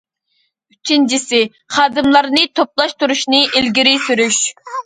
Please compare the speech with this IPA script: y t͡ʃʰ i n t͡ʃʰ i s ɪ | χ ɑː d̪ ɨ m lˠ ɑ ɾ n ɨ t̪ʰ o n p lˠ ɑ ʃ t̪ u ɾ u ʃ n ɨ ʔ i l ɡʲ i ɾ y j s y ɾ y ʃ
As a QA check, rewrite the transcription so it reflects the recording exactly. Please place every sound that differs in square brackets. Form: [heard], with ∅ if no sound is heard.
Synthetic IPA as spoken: y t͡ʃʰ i n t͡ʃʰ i s ɪ | χ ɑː d̪ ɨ m lˠ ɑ ɾ n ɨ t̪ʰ o [∅] p lˠ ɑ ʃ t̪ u ɾ u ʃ n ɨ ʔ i l ɡʲ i ɾ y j s y ɾ y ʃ